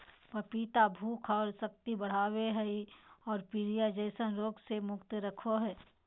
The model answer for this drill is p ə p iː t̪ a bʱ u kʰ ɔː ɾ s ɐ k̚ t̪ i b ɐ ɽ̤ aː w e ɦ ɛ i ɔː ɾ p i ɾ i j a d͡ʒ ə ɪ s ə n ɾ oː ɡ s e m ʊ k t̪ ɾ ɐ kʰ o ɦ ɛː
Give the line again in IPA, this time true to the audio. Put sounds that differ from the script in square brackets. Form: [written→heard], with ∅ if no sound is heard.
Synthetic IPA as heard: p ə p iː t̪ a bʱ [u→uː] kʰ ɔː ɾ s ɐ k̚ t̪ i b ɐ ɽ̤ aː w e ɦ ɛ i ɔː ɾ p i ɾ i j a d͡ʒ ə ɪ s ə n ɾ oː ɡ s e m ʊ k t̪ ɾ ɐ kʰ o ɦ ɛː